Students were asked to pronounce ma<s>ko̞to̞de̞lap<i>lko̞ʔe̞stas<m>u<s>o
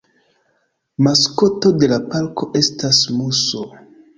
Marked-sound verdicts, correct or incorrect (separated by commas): correct, incorrect, correct, correct